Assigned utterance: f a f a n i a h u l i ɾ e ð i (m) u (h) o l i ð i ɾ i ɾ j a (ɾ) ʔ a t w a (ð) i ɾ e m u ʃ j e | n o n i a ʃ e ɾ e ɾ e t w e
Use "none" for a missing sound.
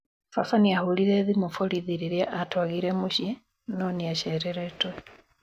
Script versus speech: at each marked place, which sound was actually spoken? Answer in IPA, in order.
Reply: m, f, none, ɣ

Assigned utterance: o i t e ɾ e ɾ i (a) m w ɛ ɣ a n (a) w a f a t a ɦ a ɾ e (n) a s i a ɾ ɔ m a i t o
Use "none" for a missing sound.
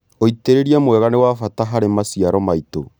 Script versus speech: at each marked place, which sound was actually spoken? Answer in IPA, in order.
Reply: a, e, m

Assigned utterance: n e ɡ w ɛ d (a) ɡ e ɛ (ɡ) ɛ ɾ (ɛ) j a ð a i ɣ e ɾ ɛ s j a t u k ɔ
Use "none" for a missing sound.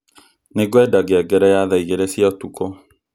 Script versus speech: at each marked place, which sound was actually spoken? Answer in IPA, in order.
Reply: a, ɡ, ɛ

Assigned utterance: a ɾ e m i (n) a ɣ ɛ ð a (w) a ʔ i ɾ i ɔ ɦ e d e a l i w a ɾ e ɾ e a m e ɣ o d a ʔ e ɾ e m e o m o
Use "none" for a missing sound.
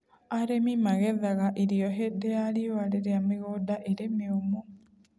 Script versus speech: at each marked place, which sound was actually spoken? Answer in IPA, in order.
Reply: m, ɣ

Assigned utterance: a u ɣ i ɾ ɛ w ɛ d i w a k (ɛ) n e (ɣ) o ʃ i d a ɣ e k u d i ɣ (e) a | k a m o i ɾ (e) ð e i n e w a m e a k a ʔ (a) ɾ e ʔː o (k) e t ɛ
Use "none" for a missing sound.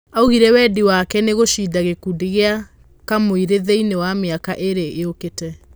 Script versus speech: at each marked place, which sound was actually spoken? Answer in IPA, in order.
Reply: ɛ, ɣ, e, e, e, k

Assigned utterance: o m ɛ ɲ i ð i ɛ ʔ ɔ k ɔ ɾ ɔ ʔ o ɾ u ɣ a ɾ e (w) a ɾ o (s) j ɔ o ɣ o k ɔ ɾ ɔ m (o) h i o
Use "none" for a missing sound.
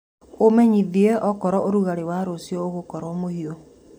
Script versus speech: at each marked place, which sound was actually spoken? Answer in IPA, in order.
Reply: w, s, o

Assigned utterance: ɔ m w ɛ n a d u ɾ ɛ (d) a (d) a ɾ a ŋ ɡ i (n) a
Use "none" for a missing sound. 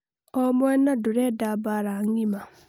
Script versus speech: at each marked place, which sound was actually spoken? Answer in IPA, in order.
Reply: d, b, m

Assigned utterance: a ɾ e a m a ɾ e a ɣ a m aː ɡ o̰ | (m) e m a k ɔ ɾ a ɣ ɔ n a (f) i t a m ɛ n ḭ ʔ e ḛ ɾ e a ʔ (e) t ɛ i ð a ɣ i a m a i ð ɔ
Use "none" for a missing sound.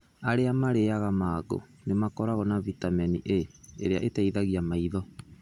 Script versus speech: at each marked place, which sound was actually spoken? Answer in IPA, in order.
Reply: n, v, e

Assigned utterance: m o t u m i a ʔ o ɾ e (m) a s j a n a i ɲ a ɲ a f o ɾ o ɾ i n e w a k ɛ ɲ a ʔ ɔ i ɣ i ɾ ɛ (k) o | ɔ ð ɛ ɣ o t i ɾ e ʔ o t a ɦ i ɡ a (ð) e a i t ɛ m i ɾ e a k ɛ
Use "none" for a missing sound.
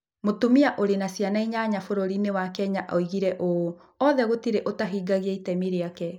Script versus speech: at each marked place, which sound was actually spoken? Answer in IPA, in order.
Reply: n, ʔ, ɣ

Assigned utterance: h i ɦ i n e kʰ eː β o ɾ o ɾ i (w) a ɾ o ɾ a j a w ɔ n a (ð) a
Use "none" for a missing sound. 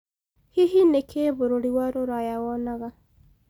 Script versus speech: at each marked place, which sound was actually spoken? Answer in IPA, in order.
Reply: w, ɣ

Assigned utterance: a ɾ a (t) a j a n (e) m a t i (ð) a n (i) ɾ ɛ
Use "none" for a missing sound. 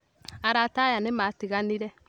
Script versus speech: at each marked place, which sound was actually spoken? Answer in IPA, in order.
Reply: t, e, ɣ, i

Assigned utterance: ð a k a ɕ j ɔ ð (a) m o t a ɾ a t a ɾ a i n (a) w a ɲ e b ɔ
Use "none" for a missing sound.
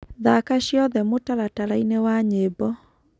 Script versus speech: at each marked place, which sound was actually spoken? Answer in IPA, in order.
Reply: ɛ, e

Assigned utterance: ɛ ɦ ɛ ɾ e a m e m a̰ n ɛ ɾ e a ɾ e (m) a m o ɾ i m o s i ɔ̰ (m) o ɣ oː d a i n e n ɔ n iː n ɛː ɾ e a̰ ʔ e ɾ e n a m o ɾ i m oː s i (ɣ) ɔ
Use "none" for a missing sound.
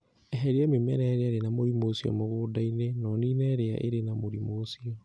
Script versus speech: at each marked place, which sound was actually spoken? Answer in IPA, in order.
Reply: n, m, none

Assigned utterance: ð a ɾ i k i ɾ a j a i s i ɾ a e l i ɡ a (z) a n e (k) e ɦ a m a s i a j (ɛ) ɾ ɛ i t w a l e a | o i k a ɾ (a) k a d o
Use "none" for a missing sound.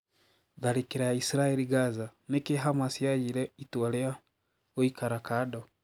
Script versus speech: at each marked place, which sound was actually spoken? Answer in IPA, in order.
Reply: z, k, i, a

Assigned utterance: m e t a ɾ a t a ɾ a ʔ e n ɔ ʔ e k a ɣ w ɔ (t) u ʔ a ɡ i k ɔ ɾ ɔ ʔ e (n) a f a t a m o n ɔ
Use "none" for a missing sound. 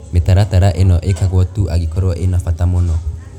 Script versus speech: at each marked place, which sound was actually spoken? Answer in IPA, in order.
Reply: t, n

